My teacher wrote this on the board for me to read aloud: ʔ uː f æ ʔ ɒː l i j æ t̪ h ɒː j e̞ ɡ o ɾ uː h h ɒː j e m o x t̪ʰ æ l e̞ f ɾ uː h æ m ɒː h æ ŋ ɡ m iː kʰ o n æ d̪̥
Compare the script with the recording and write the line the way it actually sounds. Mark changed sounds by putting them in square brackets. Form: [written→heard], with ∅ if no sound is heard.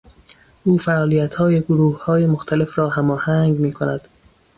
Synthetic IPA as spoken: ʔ uː f æ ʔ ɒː l i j æ t̪ h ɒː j e̞ ɡ o ɾ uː h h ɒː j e m o x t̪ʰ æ l e̞ f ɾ [uː→ɒː] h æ m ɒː h æ ŋ ɡ m iː kʰ o n æ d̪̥